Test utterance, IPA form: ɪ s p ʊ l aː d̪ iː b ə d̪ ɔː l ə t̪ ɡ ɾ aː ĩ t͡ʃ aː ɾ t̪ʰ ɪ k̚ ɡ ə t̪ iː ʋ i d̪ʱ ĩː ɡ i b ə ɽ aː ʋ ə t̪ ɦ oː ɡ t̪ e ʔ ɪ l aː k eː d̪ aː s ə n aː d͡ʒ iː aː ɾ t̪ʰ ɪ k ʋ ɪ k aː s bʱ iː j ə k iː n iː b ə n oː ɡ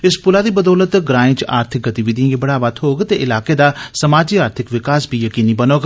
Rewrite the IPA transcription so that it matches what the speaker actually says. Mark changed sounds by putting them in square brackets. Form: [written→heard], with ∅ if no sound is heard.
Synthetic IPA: ɪ s p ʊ l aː d̪ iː b ə d̪ ɔː l ə t̪ ɡ ɾ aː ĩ t͡ʃ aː ɾ t̪ʰ ɪ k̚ ɡ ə t̪ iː ʋ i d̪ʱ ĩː ɡ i b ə ɽ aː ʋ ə t̪ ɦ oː ɡ t̪ e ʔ ɪ l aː k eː d̪ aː s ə [n→m] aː d͡ʒ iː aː ɾ t̪ʰ ɪ k ʋ ɪ k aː s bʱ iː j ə k iː n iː b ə n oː ɡ